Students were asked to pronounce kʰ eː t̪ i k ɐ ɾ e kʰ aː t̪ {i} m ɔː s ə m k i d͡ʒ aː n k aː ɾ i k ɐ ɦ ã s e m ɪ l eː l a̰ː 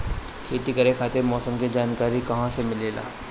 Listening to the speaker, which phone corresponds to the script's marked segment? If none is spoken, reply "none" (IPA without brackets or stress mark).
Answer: e